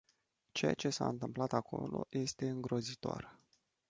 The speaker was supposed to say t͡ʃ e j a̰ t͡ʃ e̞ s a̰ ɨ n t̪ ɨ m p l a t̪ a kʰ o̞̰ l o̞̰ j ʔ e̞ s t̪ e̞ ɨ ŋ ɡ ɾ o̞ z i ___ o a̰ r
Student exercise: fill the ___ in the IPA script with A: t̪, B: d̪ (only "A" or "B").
A